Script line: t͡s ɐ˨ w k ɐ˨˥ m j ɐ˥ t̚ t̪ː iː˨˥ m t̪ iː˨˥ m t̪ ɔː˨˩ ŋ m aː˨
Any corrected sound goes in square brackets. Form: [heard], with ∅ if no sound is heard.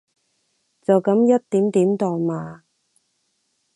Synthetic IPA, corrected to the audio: t͡s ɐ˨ w k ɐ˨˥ m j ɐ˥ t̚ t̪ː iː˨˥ m t̪ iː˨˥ m t̪ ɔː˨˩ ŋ m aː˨